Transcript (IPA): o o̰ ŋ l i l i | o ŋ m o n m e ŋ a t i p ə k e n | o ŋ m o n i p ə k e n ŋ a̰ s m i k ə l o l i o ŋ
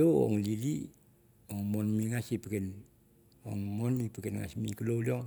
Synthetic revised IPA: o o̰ ŋ l i l i | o ŋ m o n m i ŋ a s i p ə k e n | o ŋ m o n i p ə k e n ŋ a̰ s m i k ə l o l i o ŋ